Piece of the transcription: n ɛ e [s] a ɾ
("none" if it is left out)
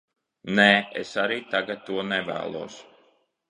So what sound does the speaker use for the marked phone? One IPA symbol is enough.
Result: s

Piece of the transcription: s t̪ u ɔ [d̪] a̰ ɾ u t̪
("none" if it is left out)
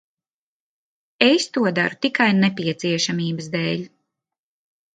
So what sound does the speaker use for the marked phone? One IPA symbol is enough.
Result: d̪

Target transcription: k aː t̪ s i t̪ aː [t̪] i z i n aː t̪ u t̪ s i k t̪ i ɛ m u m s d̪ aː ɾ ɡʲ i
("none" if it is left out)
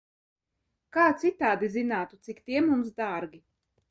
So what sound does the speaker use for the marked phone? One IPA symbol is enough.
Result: d̪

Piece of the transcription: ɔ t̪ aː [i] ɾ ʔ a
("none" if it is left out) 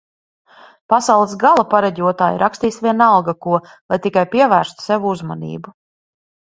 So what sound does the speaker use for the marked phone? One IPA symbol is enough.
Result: j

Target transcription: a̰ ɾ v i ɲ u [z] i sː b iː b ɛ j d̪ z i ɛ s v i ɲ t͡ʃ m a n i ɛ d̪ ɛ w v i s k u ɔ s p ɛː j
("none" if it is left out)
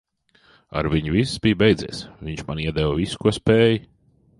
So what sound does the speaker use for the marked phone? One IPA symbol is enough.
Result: v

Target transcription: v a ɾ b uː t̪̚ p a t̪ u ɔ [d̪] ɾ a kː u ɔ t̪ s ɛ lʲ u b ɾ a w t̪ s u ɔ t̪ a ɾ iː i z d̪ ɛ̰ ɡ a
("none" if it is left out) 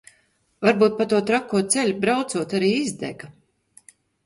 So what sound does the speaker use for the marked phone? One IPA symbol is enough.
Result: t̪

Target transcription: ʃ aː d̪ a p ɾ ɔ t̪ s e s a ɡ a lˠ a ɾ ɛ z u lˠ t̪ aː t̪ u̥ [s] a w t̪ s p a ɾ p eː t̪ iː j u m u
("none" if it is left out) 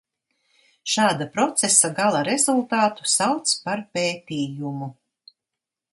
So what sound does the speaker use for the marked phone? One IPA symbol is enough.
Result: s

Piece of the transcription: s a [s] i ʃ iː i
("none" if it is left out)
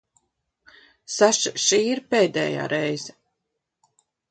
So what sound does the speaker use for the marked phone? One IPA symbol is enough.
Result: ʃ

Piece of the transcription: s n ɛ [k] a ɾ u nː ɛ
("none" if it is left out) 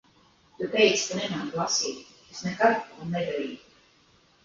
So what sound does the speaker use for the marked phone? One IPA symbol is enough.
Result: k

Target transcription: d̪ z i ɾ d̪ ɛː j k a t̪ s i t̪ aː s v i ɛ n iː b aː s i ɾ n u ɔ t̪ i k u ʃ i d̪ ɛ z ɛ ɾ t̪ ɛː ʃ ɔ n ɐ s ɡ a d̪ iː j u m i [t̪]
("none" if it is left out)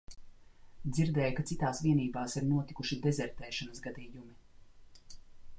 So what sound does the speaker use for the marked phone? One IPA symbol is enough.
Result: none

